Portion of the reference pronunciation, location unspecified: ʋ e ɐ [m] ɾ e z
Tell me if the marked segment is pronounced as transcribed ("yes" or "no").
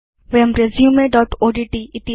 yes